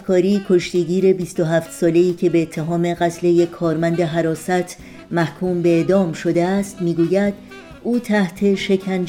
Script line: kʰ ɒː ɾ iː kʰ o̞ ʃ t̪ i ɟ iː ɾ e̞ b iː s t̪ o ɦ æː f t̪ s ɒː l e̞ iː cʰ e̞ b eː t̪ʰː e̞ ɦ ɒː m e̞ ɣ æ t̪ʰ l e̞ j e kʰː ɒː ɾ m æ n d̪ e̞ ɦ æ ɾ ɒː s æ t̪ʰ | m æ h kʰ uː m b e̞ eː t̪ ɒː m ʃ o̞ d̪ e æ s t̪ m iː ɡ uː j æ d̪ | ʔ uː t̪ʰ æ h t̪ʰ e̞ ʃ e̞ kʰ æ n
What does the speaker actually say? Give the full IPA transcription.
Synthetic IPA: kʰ ɒː ɾ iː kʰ o̞ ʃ t̪ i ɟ iː ɾ e̞ b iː s t̪ o ɦ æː f t̪ s ɒː l e̞ iː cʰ e̞ b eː t̪ʰː e̞ ɦ ɒː m e̞ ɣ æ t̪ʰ l e̞ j e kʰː ɒː ɾ m æ n d̪ e̞ ɦ æ ɾ ɒː s æ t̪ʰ | m æ h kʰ uː m b e̞ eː d̪ ɒː m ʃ o̞ d̪ e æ s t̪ m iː ɡ uː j æ d̪ | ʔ uː t̪ʰ æ h t̪ʰ e̞ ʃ e̞ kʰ æ n